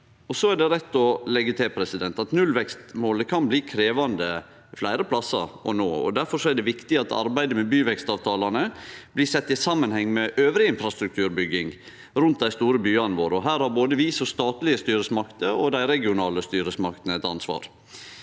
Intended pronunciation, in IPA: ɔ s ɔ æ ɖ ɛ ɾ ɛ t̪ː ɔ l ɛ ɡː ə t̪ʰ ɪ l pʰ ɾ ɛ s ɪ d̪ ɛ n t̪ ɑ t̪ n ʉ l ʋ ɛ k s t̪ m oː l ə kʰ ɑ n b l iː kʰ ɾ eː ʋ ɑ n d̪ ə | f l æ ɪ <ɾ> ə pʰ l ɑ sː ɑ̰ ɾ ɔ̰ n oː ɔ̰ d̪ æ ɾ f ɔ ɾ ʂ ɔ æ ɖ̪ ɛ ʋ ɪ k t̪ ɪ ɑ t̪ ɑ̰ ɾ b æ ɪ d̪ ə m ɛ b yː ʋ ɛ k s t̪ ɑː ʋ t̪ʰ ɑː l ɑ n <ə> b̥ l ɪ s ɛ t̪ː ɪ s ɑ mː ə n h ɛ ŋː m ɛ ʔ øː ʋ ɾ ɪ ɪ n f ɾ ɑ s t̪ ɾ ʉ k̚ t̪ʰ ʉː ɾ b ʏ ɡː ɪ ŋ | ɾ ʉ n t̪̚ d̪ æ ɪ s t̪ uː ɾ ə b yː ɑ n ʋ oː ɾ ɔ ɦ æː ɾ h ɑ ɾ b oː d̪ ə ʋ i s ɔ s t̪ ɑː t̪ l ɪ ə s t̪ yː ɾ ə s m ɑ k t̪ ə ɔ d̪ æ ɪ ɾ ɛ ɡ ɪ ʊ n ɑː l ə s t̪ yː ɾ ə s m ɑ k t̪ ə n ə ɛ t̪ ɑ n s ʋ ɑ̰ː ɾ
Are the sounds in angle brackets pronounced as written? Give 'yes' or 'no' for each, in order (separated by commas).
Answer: yes, yes